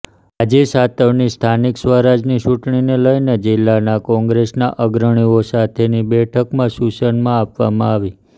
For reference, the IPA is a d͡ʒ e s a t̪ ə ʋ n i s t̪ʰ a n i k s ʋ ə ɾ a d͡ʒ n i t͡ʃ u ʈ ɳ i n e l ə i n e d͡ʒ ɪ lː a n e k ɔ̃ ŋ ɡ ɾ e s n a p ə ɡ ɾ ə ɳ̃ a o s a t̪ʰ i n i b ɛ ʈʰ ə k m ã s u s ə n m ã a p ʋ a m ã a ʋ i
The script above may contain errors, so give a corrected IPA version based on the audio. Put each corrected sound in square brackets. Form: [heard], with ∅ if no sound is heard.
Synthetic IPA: a d͡ʒ e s a t̪ ə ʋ n i s t̪ʰ a n i k s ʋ ə ɾ a d͡ʒ n i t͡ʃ u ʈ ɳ i n e l ə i n e d͡ʒ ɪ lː a n [a] k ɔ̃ ŋ ɡ ɾ e s n a [ʔ] ə ɡ ɾ ə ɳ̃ [i] o s a t̪ʰ [e] n i b ɛ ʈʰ ə k m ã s u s ə n m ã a p ʋ a m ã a ʋ i